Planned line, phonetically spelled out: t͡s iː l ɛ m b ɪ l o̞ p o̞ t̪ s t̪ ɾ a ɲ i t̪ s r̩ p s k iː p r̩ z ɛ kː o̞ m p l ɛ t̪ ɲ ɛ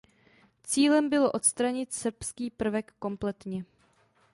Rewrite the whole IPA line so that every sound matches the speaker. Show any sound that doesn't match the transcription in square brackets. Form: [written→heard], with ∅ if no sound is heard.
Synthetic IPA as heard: t͡s iː l ɛ m b ɪ l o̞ [p→ʔ] o̞ t̪ s t̪ ɾ a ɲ [i→ɪ] t̪ s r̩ p s k iː p r̩ [z→v] ɛ kː o̞ m p l ɛ t̪ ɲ ɛ